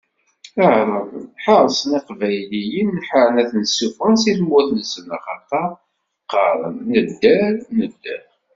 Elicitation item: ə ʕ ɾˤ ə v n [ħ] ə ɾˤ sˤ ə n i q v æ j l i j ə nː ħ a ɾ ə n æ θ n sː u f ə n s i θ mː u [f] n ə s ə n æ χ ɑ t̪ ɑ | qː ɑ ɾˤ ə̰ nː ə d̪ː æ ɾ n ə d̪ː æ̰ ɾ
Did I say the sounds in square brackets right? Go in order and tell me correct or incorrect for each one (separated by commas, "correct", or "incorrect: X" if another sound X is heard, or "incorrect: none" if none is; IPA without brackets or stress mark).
correct, incorrect: θ